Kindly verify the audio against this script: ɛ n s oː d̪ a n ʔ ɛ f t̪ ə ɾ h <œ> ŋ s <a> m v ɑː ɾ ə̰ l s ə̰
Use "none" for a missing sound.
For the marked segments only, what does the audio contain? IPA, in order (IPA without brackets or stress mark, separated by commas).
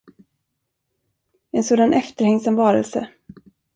ɛ, a